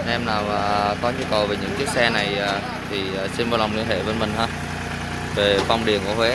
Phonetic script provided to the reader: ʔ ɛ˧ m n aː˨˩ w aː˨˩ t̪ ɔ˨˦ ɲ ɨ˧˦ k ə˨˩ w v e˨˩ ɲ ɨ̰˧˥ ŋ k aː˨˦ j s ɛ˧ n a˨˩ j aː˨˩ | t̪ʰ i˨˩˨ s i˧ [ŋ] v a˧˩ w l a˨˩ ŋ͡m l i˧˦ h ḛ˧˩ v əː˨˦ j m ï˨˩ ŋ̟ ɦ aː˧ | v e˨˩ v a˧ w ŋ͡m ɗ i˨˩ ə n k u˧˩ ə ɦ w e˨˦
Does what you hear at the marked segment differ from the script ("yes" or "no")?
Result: yes